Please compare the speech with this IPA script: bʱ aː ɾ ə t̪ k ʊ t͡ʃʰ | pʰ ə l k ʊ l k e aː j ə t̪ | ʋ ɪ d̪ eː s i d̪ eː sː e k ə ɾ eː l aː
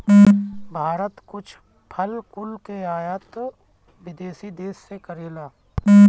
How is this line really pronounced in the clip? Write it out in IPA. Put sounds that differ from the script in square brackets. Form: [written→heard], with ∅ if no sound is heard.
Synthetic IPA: bʱ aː ɾ ə t̪ k ʊ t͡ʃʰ | pʰ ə l k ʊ l k e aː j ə t̪ | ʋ ɪ d̪ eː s i d̪ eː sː e k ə ɾ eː l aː